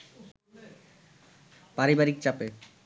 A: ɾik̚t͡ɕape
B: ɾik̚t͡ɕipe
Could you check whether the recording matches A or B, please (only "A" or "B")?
A